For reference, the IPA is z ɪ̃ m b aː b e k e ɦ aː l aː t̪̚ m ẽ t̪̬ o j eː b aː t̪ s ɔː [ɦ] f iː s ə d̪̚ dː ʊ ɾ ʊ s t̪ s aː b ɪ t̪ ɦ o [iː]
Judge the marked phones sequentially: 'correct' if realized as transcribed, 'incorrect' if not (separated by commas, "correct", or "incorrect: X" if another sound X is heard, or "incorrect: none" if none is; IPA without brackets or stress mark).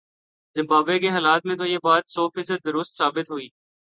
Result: incorrect: none, correct